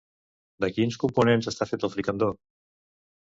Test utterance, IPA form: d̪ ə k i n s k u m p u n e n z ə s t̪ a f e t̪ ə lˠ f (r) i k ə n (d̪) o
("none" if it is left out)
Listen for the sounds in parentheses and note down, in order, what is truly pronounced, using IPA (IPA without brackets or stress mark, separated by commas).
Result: ɾ, d̪